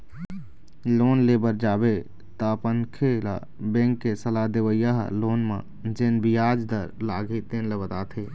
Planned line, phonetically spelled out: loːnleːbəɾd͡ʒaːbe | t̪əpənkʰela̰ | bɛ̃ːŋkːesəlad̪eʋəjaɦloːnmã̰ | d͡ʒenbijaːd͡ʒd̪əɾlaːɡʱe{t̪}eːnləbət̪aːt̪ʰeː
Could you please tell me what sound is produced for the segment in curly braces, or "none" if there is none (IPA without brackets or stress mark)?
t̪